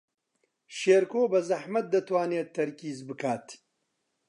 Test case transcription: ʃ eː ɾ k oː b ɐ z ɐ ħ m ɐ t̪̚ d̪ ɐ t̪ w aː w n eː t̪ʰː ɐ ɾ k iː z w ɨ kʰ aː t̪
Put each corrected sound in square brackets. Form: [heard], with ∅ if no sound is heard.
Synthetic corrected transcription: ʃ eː ɾ k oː b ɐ z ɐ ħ m ɐ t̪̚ d̪ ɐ t̪ w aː [∅] n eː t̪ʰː ɐ ɾ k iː z [b] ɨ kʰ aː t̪